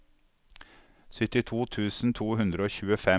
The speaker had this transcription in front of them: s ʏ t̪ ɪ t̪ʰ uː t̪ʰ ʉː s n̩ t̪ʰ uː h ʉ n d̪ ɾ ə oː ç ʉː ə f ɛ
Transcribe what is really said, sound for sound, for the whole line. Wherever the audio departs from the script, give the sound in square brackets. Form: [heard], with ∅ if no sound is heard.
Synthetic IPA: s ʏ t̪ ɪ t̪ʰ uː t̪ʰ ʉː s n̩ t̪ʰ uː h ʉ n d̪ ɾ ə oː ç ʉː ə f ɛ